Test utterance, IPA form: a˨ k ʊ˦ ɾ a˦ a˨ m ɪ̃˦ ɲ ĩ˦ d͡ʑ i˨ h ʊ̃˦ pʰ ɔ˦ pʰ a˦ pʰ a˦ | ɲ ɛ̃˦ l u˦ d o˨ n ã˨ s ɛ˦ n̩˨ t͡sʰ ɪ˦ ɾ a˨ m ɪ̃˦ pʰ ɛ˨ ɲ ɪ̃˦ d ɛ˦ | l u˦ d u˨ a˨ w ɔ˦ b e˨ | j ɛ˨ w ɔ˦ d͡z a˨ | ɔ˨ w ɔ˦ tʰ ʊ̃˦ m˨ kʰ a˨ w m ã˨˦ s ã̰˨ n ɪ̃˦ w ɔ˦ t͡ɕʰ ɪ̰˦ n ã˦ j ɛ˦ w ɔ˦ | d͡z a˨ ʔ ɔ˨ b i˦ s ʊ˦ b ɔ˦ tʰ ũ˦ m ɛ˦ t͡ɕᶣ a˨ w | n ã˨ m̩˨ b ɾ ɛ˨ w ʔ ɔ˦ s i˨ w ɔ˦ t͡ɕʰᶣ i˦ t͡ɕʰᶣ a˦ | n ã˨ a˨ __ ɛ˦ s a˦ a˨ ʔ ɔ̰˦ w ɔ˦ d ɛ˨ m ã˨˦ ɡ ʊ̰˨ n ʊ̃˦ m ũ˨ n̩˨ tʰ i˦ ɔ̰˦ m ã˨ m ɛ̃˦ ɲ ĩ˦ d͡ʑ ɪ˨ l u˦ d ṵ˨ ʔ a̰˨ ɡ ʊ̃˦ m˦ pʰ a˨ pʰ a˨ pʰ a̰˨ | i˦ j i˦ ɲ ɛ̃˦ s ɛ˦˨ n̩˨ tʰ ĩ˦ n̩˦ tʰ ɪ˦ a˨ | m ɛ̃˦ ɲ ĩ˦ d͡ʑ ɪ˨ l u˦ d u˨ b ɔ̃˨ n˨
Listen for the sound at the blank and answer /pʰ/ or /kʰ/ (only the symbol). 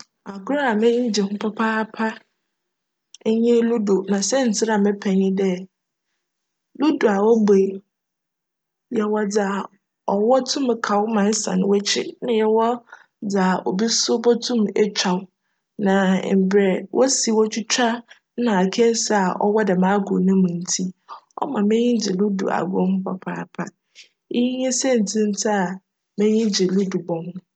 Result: kʰ